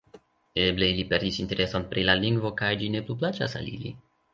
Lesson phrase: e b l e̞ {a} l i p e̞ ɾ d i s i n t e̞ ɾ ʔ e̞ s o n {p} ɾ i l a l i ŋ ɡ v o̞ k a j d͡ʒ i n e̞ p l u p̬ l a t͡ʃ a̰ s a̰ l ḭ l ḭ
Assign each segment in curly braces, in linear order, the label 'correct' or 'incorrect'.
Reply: incorrect, correct

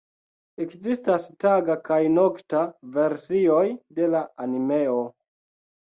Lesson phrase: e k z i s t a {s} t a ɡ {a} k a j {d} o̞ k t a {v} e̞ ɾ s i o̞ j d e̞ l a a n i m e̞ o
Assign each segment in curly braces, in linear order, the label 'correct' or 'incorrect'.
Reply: correct, correct, incorrect, correct

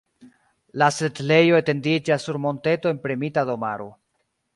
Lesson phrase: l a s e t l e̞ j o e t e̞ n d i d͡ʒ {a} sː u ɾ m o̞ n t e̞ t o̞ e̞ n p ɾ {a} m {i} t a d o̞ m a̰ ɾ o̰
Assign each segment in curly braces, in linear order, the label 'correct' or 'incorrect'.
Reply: correct, incorrect, correct

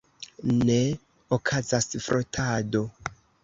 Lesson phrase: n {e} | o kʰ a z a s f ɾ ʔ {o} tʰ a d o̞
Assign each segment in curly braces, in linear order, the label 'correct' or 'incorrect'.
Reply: correct, correct

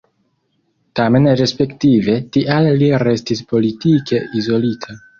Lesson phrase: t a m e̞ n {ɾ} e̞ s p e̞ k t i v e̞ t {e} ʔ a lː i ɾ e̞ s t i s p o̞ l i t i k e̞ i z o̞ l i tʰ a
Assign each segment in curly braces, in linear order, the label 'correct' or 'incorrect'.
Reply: correct, incorrect

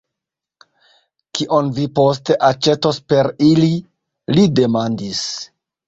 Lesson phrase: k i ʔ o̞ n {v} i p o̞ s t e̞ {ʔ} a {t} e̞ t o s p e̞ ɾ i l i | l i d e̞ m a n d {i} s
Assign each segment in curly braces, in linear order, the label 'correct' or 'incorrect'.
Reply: correct, correct, incorrect, correct

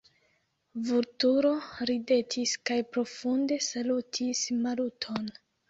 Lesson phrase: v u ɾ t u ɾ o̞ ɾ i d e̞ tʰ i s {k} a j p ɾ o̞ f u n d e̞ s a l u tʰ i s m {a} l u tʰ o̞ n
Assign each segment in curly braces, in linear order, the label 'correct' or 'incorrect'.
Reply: correct, correct

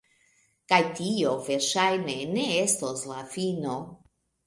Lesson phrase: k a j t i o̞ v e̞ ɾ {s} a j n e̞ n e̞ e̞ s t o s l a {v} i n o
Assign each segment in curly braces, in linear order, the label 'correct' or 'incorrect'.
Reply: incorrect, incorrect

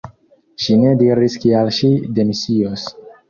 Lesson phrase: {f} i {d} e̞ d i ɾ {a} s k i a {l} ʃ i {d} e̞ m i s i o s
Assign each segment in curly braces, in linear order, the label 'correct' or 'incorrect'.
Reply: incorrect, incorrect, incorrect, correct, correct

